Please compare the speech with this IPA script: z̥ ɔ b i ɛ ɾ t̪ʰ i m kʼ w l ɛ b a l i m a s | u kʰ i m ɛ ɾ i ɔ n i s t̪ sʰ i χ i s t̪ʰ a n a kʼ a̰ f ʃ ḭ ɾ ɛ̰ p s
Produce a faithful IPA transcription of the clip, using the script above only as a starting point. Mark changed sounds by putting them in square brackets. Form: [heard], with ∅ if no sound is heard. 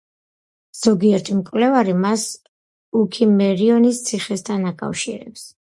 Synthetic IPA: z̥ ɔ [ɡ] i ɛ ɾ t̪ʰ i m kʼ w l ɛ [v] a [ɾ] i m a s | u kʰ i m ɛ ɾ i ɔ n i s t̪ sʰ i χ [ɛ] s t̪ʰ a n a kʼ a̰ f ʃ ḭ ɾ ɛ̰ p s

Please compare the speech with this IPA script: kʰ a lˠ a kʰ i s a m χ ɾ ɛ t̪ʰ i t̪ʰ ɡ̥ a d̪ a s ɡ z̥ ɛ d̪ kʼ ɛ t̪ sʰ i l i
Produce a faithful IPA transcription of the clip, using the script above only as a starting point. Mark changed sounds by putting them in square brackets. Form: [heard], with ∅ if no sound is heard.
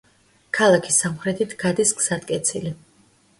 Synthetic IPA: kʰ a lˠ a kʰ i s a m χ ɾ ɛ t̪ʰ i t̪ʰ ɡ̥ a d̪ [i] s ɡ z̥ [a] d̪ kʼ ɛ t̪ sʰ i l i

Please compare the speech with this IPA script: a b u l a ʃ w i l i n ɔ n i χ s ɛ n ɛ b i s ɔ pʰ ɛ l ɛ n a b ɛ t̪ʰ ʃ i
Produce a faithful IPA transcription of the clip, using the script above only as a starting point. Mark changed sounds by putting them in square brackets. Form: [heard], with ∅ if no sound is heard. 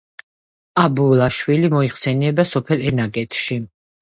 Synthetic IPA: a b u l a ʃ w i l i [m] ɔ [∅] i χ s ɛ n ɛ b [a] s ɔ pʰ ɛ l ɛ n a [ɡ] ɛ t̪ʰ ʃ i

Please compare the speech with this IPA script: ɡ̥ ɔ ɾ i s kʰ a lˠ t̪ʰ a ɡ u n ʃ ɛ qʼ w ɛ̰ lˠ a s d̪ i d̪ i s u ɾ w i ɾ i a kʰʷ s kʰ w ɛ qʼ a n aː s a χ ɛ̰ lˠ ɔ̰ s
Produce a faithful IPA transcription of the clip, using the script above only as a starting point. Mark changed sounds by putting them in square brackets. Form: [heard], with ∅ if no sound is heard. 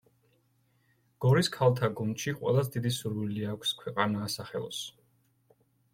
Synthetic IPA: ɡ̥ ɔ ɾ i s kʰ a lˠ t̪ʰ a ɡ u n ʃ [i] qʼ w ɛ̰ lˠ a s d̪ i d̪ i s u ɾ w i [l] i a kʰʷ s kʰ w ɛ qʼ a n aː s a χ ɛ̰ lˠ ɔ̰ s

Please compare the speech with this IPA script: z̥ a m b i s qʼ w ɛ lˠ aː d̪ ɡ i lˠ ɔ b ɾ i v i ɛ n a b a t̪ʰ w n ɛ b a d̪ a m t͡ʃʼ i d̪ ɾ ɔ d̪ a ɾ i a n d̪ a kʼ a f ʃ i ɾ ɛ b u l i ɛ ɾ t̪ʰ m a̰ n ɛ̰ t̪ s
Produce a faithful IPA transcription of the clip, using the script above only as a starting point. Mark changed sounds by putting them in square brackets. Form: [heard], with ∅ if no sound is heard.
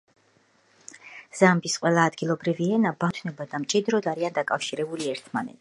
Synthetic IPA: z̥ a m b i s qʼ w ɛ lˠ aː d̪ ɡ i lˠ ɔ b ɾ i v i ɛ n a b a t̪ʰ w n ɛ b a d̪ a m t͡ʃʼ i d̪ ɾ ɔ d̪ a ɾ i a n d̪ a kʼ a f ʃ i ɾ ɛ b u l i ɛ ɾ t̪ʰ m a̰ n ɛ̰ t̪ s

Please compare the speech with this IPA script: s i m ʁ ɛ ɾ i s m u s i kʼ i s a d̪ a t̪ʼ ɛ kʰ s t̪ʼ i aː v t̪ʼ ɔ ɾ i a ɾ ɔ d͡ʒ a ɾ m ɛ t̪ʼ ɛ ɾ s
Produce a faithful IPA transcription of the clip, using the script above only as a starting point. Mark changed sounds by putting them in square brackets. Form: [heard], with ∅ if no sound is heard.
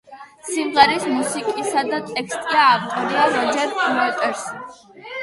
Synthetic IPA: s i m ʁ ɛ ɾ i s m u s i kʼ i s a d̪ a t̪ʼ ɛ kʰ s t̪ʼ i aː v t̪ʼ ɔ ɾ i a ɾ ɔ d͡ʒ [ɛ] ɾ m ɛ t̪ʼ ɛ ɾ s

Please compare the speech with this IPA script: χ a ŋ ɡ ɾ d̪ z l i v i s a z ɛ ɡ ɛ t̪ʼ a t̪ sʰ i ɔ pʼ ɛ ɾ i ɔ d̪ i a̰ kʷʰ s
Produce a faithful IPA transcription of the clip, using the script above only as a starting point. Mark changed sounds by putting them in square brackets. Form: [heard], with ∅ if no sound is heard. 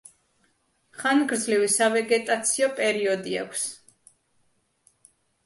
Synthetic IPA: χ a [n] ɡ ɾ d̪ z l i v i s a [v] ɛ ɡ ɛ t̪ʼ a t̪ sʰ i ɔ pʼ ɛ ɾ i ɔ d̪ i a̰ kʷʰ s

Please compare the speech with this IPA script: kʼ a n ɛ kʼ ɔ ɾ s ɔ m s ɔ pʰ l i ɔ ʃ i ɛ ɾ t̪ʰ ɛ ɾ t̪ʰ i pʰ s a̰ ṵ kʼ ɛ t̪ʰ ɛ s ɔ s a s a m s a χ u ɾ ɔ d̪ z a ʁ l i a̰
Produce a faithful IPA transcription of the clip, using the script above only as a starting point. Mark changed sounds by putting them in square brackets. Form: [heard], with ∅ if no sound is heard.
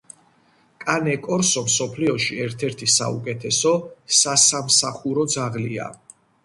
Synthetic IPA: kʼ a n ɛ kʼ ɔ ɾ s ɔ m s ɔ pʰ l i ɔ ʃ i ɛ ɾ t̪ʰ ɛ ɾ t̪ʰ i [∅] s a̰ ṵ kʼ ɛ t̪ʰ ɛ s ɔ s a s a m s a χ u ɾ ɔ d̪ z a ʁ l i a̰

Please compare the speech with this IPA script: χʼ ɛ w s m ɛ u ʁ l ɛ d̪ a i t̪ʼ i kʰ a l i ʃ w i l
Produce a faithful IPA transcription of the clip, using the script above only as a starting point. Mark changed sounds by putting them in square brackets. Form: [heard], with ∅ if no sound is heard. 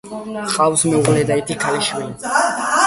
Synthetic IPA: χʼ [a] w s m ɛ u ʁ l ɛ d̪ a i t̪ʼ i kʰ a l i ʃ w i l

